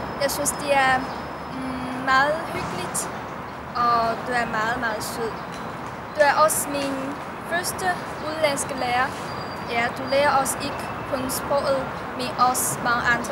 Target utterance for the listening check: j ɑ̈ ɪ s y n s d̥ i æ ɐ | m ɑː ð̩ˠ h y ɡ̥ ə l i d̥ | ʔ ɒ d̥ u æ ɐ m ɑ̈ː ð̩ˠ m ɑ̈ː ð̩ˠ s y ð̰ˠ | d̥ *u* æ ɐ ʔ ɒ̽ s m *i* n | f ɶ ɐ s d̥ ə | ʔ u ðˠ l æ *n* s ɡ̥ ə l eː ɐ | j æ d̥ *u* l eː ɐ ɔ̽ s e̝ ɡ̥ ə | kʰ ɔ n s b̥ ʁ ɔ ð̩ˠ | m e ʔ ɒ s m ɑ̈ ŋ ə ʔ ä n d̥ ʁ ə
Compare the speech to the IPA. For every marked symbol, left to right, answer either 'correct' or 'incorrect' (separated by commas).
correct, correct, correct, correct